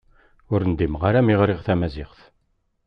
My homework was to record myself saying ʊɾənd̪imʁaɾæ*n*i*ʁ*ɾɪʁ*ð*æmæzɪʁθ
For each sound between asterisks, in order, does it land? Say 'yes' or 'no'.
no, yes, no

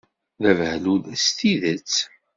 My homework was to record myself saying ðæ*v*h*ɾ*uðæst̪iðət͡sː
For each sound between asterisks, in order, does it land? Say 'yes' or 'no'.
yes, no

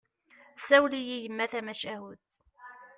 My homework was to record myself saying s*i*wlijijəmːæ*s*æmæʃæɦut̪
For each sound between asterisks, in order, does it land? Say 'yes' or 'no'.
no, no

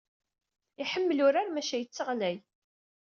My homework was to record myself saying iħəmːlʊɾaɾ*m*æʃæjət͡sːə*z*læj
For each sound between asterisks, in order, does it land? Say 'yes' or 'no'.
yes, no

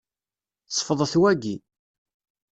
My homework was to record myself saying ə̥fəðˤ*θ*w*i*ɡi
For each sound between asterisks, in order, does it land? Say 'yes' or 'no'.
yes, no

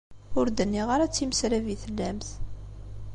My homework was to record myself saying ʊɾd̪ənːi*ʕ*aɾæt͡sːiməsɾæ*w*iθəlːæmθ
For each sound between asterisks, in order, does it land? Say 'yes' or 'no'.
no, no

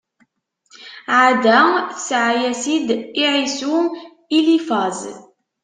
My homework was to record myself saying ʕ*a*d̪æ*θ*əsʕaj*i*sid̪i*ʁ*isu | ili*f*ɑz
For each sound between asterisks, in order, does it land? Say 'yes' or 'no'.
yes, yes, no, no, yes

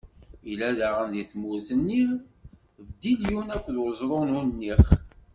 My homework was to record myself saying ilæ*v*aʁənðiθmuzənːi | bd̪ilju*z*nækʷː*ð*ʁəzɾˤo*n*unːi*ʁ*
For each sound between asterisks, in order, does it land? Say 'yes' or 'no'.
no, no, yes, yes, no

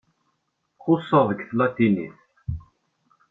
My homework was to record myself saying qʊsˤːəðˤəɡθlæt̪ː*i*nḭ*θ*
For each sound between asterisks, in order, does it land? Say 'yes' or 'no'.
yes, yes

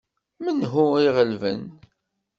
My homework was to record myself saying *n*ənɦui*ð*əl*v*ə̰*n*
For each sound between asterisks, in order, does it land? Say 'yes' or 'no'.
no, no, yes, yes

